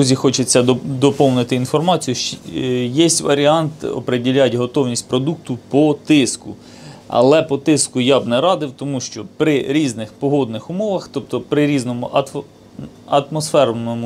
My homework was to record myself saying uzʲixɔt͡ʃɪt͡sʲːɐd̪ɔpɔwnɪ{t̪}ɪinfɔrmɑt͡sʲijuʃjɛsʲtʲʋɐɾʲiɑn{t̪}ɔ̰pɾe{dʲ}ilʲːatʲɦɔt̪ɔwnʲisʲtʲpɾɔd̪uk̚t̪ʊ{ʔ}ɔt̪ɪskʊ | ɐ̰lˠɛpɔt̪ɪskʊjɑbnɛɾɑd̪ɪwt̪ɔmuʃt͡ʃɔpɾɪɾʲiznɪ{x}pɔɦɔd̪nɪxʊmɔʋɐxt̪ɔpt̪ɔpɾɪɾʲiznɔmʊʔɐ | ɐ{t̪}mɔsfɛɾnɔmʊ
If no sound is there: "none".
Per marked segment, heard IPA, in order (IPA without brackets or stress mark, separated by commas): t̪, t̪, dʲ, p, x, t̪